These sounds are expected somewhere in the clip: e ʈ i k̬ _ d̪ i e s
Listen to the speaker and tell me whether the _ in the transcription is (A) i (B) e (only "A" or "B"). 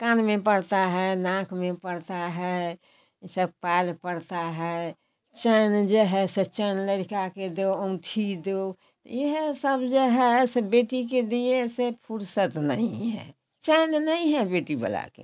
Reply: B